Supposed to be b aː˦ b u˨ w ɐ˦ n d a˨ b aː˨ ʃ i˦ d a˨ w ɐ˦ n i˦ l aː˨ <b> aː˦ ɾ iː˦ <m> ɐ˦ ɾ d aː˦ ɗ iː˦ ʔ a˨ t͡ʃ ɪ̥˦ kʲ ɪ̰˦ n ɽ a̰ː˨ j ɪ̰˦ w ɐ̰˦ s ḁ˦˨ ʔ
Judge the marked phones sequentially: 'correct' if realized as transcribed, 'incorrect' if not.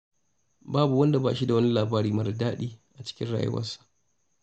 correct, correct

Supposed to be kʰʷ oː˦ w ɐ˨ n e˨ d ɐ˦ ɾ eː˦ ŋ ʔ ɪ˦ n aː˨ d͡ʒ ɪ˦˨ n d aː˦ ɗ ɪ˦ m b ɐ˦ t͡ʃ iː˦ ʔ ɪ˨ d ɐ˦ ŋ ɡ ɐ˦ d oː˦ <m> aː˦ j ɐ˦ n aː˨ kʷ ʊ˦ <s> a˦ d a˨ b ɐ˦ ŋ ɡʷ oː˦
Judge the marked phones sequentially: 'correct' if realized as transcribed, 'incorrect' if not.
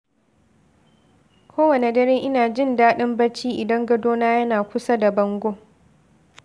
incorrect: n, correct

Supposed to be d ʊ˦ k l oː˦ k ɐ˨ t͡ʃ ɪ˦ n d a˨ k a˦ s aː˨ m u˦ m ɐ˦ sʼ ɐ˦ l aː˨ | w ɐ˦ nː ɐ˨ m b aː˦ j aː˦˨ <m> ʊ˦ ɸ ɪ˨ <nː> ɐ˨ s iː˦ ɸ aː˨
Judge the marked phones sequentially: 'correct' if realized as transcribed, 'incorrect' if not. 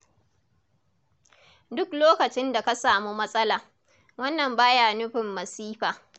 incorrect: n, incorrect: mː

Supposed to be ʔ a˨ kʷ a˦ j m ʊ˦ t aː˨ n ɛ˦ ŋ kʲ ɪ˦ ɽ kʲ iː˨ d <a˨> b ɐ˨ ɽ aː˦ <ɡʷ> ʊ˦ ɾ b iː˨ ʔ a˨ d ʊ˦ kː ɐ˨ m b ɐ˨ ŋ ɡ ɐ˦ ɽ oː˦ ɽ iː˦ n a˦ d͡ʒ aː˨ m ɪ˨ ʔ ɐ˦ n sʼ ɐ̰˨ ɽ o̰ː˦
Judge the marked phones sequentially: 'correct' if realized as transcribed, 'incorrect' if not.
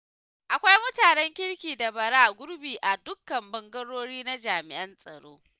correct, correct

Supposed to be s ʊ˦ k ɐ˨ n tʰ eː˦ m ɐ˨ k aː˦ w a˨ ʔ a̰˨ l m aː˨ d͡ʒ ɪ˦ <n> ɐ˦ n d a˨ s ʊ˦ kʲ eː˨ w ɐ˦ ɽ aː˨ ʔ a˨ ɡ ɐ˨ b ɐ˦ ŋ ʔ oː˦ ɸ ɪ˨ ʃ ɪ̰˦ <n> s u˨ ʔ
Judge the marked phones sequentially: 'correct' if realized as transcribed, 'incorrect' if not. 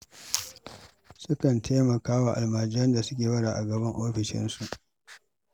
incorrect: none, correct

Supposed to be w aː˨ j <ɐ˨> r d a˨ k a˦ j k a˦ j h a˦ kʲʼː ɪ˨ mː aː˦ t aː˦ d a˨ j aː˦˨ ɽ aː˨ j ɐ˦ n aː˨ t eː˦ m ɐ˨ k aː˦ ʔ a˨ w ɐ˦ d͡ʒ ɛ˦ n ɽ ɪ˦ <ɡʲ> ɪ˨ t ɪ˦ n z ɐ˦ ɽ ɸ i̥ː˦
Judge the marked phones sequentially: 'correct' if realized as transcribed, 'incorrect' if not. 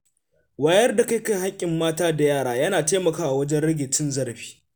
incorrect: ɐ˦, correct

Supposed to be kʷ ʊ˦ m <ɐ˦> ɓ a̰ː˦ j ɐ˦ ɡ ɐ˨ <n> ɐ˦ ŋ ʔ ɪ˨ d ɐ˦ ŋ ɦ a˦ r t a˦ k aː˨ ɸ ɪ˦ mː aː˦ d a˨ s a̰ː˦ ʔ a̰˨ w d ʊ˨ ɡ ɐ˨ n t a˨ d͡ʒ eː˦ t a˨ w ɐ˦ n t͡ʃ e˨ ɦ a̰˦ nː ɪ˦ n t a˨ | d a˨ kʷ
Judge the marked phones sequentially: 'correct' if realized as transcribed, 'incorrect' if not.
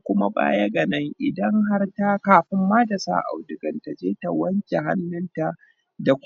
incorrect: a˦, correct

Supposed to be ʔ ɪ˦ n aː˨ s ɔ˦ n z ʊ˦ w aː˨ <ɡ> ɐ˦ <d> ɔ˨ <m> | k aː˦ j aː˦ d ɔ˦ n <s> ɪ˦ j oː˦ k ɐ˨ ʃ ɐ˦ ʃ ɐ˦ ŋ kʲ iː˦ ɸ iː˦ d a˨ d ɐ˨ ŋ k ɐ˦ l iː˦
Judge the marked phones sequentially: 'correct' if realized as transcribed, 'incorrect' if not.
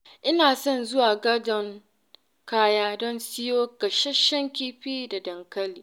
correct, correct, incorrect: ŋ, correct

